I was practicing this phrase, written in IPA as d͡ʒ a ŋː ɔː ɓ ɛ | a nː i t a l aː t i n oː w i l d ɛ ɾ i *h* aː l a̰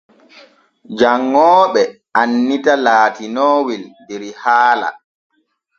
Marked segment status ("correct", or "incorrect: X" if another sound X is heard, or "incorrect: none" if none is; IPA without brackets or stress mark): correct